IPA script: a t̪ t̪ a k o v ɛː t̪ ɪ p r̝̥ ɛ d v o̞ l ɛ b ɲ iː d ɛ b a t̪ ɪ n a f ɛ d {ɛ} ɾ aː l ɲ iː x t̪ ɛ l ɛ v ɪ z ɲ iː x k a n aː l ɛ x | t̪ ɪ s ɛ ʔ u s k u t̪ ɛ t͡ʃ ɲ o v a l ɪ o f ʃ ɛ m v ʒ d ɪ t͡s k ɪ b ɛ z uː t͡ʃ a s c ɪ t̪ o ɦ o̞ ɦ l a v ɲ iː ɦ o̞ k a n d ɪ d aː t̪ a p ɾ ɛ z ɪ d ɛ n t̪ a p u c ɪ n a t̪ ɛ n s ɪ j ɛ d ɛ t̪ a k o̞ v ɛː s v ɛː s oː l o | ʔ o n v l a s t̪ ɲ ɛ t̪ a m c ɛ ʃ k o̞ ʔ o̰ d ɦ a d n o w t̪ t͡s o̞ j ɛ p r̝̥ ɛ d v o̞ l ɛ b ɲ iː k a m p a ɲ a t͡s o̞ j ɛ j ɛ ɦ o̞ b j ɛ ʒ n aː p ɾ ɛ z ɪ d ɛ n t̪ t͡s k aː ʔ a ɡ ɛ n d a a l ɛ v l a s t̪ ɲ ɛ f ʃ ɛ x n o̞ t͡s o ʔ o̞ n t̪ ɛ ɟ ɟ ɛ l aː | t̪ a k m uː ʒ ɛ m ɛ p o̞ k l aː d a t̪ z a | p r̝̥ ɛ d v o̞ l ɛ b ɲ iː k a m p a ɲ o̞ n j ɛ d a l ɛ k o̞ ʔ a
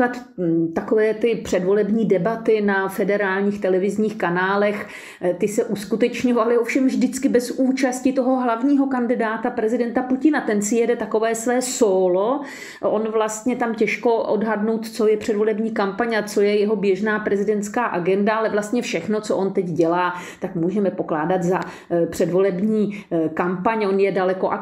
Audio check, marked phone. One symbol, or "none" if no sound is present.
ɛ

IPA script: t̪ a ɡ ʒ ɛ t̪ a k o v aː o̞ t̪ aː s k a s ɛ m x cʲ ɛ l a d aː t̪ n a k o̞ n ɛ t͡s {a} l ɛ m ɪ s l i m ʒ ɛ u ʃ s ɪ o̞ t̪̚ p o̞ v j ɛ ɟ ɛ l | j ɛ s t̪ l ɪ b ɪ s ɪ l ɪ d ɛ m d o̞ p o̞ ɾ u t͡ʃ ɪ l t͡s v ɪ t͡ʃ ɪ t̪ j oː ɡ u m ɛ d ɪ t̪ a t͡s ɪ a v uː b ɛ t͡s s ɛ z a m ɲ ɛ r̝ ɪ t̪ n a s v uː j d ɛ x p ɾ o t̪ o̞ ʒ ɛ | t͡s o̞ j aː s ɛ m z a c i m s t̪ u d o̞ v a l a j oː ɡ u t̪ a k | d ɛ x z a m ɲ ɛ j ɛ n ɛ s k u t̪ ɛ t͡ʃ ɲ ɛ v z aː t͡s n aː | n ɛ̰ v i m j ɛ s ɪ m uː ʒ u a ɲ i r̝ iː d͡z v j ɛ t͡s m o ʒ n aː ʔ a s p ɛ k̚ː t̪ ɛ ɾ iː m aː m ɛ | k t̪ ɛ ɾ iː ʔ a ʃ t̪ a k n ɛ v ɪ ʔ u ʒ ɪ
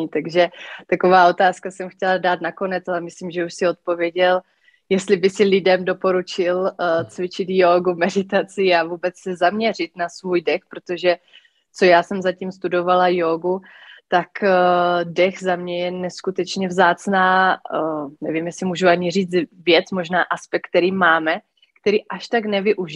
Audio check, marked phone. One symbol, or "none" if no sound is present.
a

